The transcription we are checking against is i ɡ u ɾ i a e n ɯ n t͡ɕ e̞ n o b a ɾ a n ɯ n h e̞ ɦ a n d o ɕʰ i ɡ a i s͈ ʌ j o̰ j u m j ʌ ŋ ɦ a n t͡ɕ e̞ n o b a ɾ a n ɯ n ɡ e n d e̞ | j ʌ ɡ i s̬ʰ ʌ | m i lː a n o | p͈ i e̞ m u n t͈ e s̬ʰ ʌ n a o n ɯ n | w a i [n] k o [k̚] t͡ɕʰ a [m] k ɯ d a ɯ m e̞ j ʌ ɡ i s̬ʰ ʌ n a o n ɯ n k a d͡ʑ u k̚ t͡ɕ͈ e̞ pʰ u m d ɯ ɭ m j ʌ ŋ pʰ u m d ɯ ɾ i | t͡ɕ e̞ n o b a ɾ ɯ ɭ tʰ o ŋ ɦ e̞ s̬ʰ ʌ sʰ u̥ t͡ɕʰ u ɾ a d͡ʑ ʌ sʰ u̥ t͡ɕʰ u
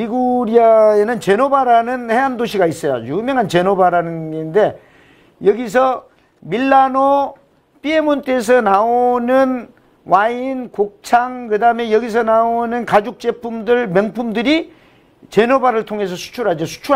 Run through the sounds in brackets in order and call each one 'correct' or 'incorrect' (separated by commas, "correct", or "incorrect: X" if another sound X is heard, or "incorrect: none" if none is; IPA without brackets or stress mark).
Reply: correct, correct, incorrect: ŋ